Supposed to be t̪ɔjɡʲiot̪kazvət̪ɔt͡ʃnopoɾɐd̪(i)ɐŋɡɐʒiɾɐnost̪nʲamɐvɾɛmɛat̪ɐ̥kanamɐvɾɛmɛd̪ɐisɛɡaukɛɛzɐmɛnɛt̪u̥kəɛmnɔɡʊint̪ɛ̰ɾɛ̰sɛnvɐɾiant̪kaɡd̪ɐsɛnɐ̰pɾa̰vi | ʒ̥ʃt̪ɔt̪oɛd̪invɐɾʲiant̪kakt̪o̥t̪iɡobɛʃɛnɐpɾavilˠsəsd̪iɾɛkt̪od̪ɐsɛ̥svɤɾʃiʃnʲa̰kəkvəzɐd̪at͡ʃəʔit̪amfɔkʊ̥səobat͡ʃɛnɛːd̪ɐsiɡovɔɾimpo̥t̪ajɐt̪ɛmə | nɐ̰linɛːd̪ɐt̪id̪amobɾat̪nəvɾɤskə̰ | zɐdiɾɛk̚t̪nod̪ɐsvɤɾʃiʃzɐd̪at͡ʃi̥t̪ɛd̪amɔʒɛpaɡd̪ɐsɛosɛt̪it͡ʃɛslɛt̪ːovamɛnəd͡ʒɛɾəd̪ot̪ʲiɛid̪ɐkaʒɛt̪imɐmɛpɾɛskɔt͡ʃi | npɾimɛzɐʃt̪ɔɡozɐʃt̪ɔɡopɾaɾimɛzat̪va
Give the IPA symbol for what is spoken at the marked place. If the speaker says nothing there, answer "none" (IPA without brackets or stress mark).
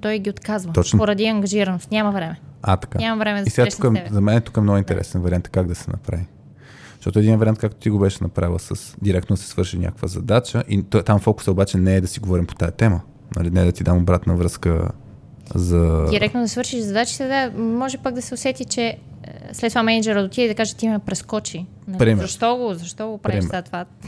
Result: i